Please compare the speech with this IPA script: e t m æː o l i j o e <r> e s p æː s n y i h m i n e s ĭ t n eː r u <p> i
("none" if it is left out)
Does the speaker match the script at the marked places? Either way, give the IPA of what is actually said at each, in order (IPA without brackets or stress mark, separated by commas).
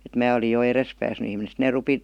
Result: r, p